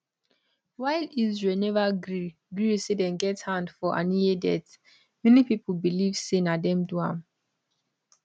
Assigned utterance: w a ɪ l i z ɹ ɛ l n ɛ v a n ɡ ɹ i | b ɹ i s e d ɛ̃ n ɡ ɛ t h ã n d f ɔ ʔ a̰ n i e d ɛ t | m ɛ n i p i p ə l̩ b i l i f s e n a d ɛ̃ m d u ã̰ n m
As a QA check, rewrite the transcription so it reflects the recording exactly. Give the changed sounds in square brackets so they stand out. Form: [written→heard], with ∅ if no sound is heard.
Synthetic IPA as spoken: w a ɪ l i z ɹ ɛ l n ɛ v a [n→∅] ɡ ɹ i | [b→ɡ] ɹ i s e d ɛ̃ n ɡ ɛ t h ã n d f ɔ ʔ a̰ n i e d ɛ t | m ɛ n i p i p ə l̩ b i l i [f→v] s e n a d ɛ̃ m d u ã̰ [n→∅] m

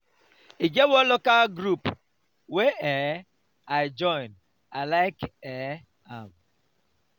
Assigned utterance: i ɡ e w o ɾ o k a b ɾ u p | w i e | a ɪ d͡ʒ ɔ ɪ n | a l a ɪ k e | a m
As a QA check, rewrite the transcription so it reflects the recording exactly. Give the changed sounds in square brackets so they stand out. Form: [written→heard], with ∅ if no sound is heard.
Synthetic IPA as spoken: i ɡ e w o [ɾ→l] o k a [b→ɡ] ɾ u p | w [i→e] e | a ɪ d͡ʒ ɔ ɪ n | a l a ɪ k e | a m

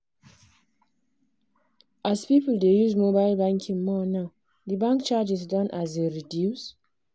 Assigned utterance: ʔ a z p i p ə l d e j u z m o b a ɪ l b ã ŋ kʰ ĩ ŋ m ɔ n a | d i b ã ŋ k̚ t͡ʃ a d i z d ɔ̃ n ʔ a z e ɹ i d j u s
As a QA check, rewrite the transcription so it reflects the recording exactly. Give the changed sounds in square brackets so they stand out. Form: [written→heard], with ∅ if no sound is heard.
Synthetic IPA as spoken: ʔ a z p i p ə l d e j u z m o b a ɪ l b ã ŋ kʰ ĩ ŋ m ɔ n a | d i b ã ŋ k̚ t͡ʃ a [d→d͡ʒ] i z d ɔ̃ n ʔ a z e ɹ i d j u s

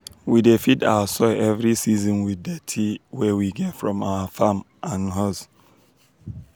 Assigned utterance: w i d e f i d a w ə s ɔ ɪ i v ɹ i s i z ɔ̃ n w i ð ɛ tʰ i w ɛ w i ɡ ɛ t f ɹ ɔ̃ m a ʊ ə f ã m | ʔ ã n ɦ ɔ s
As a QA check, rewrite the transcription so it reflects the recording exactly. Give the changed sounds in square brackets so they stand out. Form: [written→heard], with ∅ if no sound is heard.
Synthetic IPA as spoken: w i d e f i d a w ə s ɔ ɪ [i→ɛ] v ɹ i s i z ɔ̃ n w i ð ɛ tʰ i w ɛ w i ɡ ɛ t f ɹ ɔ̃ m a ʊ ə f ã m | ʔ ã n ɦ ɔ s

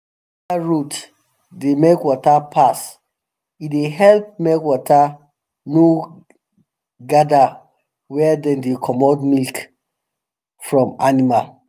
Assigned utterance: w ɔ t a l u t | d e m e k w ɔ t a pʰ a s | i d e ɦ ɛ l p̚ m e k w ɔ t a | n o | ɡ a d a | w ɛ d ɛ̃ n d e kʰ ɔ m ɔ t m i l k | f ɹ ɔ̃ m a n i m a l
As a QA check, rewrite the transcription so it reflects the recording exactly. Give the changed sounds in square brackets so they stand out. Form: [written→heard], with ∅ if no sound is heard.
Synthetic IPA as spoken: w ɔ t a [l→ɹ] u t | d e m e k w ɔ t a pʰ a s | i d e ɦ ɛ l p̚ m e k w ɔ t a | n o | ɡ a d a | w ɛ d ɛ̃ n d e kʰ ɔ m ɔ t m i l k | f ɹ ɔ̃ m a n i m a l

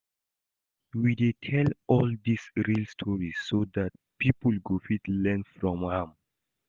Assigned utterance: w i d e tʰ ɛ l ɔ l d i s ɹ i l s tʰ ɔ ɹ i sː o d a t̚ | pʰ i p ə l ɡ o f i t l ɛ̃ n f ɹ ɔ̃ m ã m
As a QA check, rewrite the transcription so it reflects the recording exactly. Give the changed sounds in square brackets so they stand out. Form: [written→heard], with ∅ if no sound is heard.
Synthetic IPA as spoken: w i d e tʰ ɛ l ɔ l d i s ɹ i l s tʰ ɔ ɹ i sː o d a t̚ | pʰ i p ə l ɡ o f i t l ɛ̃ n f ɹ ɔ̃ m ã m

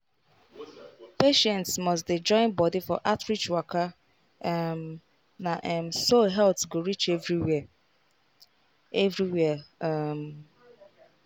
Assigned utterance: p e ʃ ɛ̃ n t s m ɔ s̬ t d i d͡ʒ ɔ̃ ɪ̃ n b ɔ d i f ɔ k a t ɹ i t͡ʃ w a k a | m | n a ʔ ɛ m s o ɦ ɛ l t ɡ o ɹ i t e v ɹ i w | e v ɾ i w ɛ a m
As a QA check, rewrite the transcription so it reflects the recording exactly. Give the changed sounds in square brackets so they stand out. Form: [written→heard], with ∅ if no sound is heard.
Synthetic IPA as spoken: p e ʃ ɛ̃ n t s m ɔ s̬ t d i d͡ʒ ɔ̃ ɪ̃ n b ɔ d i f ɔ [k→ʔ] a t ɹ i t͡ʃ w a k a | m | n a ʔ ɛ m s o ɦ ɛ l t ɡ o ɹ i [t→t͡ʃ] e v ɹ i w | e v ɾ i w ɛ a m

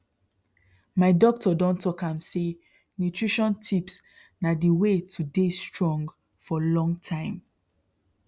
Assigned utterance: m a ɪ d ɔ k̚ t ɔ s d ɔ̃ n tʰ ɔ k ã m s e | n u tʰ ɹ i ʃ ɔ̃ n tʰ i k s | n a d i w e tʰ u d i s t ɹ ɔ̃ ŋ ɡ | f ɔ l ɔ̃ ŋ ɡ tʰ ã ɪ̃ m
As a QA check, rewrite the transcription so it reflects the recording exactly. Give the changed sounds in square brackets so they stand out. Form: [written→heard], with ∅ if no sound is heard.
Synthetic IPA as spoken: m a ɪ d ɔ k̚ t ɔ [s→∅] d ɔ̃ n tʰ ɔ k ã m s e | n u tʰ ɹ i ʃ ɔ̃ n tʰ i [k→p] s | n a d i w e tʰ u d [i→e] s t ɹ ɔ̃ ŋ ɡ | f ɔ l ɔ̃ ŋ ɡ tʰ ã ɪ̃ m

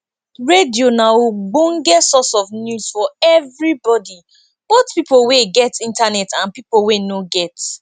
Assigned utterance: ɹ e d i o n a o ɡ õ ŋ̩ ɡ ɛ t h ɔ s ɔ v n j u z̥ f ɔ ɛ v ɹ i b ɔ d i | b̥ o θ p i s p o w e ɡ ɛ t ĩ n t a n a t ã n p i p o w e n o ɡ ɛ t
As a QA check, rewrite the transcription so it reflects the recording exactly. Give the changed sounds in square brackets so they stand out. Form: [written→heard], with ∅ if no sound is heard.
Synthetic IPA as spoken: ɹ e d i o n a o [ɡ→ɡ͡b] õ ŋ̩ ɡ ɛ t [h→s] ɔ s ɔ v n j u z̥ f ɔ ɛ v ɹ i b ɔ d i | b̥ o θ p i [s→∅] p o w e ɡ ɛ t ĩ n t a n [a→ɛ] t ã n p i p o w e n o ɡ ɛ t

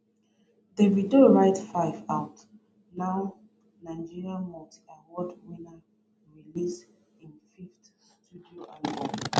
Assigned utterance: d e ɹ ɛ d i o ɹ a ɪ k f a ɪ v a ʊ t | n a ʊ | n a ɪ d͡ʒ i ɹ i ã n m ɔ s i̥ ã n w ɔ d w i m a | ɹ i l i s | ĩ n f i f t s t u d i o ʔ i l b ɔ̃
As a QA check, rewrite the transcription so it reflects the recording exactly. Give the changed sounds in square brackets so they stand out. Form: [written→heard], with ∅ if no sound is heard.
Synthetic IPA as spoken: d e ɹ [ɛ→i] d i o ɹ a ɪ [k→t] f a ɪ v a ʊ t | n a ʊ | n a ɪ d͡ʒ i ɹ i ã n m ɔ [s→t] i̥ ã n w ɔ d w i [m→n] a | ɹ i l i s | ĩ n f i f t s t u d i o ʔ [i→a] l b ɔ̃

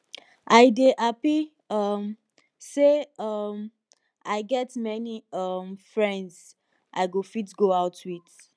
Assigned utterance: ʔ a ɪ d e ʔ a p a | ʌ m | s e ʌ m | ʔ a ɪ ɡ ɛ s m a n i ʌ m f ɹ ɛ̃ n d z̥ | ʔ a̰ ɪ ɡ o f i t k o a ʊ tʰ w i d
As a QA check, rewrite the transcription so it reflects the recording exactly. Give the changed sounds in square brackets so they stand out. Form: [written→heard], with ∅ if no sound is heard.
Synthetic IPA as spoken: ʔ a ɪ d e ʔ a p [a→i] | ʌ m | s e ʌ m | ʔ a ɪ ɡ ɛ [s→t] m [a→ɛ] n i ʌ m f ɹ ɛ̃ n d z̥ | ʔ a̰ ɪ ɡ o f i t [k→ɡ] o a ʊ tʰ w i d

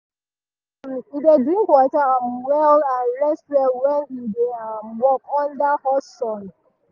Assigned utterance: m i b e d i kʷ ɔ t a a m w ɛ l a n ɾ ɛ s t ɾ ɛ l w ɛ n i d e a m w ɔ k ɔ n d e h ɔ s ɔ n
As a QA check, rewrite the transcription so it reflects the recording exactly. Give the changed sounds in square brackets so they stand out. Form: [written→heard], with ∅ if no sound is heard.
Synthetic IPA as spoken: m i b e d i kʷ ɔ t a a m w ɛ l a n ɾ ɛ s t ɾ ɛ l w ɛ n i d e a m w ɔ k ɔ n d [e→a] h ɔ s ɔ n

